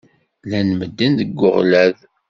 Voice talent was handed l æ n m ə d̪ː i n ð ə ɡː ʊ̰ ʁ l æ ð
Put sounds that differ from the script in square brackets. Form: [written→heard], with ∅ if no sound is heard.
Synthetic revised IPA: l æ n m ə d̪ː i n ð ə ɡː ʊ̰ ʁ l æ ð